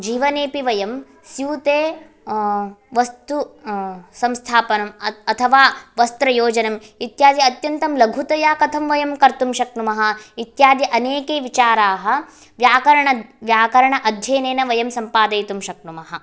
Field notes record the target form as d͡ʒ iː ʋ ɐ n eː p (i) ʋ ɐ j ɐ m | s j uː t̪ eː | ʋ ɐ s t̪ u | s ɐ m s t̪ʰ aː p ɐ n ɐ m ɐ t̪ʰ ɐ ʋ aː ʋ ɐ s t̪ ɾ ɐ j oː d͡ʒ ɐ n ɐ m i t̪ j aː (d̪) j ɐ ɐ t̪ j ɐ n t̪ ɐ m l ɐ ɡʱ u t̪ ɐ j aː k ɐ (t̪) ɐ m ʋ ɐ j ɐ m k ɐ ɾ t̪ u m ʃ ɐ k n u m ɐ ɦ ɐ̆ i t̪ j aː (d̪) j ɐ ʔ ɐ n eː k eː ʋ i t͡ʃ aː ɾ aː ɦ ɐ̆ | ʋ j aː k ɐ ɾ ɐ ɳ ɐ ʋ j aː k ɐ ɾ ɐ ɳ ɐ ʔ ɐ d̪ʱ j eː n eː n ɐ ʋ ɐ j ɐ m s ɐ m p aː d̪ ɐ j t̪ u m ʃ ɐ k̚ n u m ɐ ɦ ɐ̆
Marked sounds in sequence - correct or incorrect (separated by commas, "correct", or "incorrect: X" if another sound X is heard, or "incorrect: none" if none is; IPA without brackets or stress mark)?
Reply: correct, correct, incorrect: t̪ʰ, correct